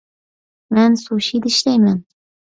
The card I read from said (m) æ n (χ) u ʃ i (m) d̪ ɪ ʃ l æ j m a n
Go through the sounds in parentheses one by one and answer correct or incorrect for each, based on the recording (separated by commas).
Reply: correct, incorrect, incorrect